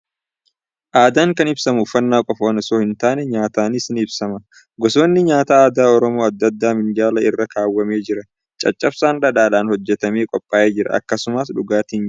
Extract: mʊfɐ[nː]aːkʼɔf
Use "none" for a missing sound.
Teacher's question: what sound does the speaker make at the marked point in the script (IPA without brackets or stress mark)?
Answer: nː